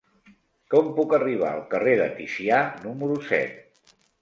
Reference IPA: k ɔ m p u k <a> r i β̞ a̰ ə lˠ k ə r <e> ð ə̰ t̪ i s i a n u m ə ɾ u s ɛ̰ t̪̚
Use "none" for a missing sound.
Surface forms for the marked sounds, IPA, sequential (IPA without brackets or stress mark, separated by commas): ə, e